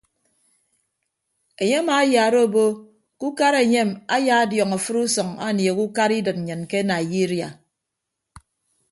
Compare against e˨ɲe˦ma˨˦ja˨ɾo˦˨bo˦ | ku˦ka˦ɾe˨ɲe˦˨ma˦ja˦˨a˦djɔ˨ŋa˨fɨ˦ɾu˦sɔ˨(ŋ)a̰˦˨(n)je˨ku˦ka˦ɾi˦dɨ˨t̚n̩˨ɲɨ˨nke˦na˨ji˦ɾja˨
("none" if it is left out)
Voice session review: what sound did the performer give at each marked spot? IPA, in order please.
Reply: ŋ, n

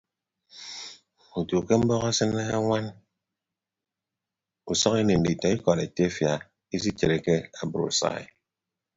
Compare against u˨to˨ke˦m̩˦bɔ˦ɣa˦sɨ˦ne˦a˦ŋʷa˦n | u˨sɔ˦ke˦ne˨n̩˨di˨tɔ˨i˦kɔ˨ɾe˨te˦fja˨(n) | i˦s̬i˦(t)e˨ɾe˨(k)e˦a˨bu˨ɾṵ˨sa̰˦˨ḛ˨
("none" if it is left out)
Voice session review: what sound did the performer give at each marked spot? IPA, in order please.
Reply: none, t͡ʃ, k

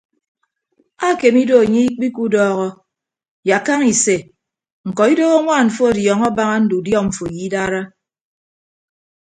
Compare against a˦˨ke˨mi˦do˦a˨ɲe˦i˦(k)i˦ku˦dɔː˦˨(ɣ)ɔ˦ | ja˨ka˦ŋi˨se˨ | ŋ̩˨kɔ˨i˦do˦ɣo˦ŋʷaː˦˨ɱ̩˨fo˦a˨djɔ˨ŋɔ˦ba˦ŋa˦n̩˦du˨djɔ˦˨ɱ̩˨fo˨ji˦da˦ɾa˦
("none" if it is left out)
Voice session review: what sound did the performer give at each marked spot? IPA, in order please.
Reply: k͡p, ɣ

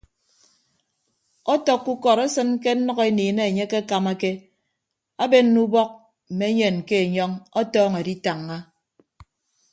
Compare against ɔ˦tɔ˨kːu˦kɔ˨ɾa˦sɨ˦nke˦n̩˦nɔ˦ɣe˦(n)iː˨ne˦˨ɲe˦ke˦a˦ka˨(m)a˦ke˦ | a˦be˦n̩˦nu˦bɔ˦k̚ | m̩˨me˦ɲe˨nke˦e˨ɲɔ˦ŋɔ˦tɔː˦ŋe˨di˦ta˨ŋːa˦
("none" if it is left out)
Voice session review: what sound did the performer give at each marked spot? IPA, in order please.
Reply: n, m

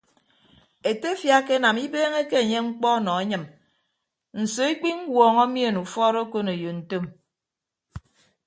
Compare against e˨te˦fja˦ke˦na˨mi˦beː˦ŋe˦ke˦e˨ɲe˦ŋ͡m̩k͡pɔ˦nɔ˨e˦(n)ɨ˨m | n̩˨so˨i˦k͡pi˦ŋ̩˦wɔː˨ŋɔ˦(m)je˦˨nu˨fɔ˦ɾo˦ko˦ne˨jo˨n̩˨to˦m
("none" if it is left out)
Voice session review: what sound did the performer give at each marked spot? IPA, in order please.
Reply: ɲ, m

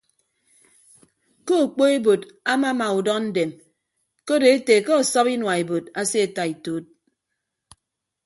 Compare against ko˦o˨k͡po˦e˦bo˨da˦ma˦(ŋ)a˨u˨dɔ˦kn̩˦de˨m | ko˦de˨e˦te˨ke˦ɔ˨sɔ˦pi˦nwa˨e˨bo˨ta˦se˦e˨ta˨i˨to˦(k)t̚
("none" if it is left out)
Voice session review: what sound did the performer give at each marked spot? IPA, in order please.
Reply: m, none

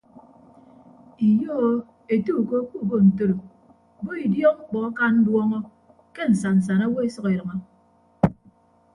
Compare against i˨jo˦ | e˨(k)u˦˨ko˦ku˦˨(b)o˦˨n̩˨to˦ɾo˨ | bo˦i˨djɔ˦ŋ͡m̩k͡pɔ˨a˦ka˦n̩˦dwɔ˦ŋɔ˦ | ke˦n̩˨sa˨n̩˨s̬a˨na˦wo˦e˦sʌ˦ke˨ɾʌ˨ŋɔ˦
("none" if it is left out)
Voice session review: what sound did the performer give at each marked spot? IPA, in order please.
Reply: t, b

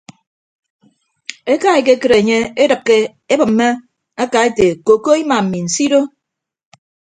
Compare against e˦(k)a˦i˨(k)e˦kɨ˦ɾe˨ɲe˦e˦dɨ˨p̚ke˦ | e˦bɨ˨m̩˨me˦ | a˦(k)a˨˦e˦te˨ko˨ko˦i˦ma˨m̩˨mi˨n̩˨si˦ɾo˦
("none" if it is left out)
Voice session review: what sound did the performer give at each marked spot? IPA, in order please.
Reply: k, k, k

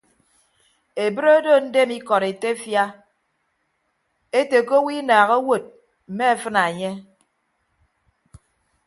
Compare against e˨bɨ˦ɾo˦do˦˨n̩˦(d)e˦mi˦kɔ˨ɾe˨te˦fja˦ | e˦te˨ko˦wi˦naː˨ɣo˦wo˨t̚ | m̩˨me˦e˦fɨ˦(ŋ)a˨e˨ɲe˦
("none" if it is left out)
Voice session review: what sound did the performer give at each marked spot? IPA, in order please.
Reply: d, n

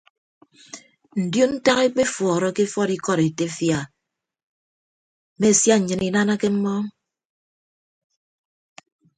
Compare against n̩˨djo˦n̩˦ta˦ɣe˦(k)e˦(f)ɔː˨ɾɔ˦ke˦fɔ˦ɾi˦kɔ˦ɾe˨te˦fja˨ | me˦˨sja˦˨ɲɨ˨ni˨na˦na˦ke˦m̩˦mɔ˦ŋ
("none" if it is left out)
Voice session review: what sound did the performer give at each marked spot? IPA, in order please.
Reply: k͡p, f

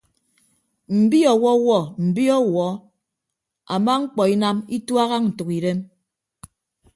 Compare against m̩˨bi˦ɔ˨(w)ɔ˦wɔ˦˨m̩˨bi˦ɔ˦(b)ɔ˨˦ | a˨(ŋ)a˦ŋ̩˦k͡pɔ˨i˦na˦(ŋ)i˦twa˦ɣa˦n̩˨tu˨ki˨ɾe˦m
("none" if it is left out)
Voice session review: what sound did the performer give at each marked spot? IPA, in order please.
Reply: w, w, m, m

